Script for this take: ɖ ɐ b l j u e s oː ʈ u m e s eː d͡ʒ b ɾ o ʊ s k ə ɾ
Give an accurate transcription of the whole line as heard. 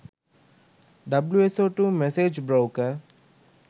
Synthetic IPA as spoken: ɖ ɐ b l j u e s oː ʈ u m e s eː d͡ʒ b ɾ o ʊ k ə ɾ